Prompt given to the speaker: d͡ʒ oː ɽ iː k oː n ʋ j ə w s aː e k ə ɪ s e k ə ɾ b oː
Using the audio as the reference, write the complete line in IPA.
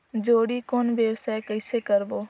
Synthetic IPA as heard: d͡ʒ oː ɽ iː k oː n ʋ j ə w s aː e k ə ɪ s e k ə ɾ b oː